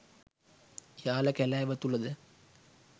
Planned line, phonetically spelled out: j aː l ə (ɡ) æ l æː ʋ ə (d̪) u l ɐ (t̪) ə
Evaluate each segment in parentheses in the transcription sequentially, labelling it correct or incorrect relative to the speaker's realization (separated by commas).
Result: incorrect, incorrect, incorrect